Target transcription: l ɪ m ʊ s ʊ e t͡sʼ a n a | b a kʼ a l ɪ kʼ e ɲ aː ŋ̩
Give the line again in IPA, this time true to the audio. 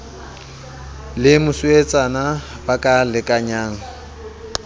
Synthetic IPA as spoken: l ɪ m ʊ s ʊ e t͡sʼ a n a | b a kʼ a l ɪ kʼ a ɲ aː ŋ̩